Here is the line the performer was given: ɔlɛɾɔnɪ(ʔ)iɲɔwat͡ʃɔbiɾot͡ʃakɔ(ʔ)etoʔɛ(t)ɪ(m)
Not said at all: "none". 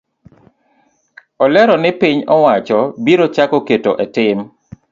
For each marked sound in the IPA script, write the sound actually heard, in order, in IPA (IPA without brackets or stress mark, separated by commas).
p, k, t, m